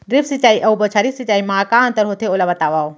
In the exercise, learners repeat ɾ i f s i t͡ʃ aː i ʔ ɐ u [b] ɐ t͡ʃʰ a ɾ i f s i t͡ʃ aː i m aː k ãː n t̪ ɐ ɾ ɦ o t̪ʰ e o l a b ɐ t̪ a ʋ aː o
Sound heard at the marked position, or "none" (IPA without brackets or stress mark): b